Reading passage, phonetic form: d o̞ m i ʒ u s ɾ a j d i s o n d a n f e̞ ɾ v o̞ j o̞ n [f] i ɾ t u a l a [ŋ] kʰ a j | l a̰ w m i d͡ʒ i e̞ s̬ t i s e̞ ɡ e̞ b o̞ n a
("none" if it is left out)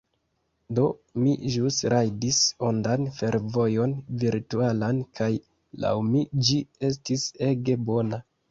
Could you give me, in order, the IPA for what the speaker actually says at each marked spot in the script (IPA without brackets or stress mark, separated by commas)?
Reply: v, n